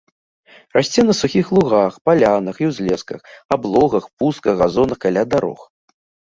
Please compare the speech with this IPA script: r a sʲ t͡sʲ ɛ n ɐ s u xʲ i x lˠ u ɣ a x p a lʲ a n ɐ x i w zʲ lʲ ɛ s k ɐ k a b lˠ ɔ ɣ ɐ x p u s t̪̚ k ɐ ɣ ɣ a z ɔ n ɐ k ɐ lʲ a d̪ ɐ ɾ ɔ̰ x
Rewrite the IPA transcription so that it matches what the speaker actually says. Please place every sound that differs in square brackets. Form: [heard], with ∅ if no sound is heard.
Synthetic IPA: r a sʲ t͡sʲ ɛ n ɐ s u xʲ i x lˠ u ɣ a x p a lʲ a n ɐ x i w zʲ lʲ ɛ s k ɐ [x] a b lˠ ɔ ɣ ɐ x p u s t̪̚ k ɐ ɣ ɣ a z ɔ n ɐ k [a] lʲ a d̪ [a] ɾ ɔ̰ x